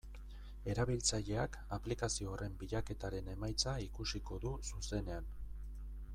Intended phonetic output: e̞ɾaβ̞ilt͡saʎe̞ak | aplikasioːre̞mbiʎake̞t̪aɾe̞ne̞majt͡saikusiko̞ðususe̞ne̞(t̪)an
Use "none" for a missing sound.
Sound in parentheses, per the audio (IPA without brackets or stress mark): none